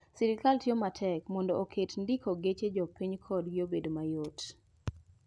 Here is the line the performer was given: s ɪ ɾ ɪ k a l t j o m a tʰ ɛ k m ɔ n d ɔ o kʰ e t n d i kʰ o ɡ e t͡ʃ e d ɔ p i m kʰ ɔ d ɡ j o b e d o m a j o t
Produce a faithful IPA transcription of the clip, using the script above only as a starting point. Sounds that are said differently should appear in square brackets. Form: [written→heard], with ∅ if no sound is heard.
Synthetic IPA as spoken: s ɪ ɾ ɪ k a l t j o m a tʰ ɛ k m ɔ n d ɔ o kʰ e t n d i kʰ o ɡ e t͡ʃ e [d→d͡ʒ] ɔ p i [m→ɲ] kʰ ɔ d ɡ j o b e d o m a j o t